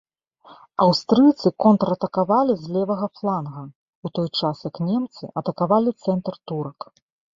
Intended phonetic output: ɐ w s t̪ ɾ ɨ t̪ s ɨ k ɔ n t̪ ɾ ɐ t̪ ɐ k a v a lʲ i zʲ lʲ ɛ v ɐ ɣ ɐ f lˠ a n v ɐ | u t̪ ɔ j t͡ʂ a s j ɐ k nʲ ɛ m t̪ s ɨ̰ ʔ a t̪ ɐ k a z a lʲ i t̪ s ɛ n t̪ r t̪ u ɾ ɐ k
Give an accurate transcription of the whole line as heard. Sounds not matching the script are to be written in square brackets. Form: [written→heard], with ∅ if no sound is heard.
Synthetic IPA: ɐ w s t̪ ɾ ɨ t̪ s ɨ k ɔ n t̪ ɾ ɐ t̪ ɐ k a v a lʲ i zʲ lʲ ɛ v ɐ ɣ ɐ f lˠ a n [v→ɣ] ɐ | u t̪ ɔ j t͡ʂ a s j ɐ k nʲ ɛ m t̪ s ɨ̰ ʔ [a→ɐ] t̪ ɐ k a [z→v] a lʲ i t̪ s ɛ n t̪ r t̪ u ɾ ɐ k